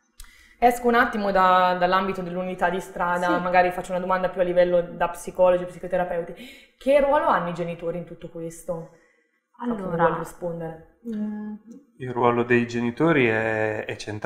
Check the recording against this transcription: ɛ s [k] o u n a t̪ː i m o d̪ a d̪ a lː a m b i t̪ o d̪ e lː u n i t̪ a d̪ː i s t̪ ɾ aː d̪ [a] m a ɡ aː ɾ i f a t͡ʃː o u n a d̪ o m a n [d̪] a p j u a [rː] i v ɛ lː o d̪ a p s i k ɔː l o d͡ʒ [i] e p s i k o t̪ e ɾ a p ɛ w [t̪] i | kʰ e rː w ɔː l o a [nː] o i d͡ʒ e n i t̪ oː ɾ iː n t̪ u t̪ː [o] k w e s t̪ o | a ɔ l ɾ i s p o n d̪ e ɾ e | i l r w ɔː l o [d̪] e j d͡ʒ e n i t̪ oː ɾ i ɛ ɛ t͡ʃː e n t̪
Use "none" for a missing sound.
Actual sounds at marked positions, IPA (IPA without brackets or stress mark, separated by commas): k, a, d̪, lː, i, t̪, nː, o, d̪